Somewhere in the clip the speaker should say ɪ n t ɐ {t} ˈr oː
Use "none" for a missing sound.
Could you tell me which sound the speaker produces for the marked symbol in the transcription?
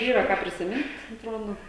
t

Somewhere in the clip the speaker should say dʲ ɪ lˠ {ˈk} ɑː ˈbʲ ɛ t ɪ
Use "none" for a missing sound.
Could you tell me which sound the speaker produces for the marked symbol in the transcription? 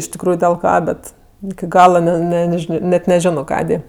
k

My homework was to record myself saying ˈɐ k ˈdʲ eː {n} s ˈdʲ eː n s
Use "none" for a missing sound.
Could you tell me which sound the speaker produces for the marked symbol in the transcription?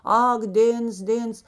n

